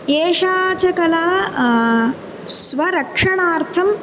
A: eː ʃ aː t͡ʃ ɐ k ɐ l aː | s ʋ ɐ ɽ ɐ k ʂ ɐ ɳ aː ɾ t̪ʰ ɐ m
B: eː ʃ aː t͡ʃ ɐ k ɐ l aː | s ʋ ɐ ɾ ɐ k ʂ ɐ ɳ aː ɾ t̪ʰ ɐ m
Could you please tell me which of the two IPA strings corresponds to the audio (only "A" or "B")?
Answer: B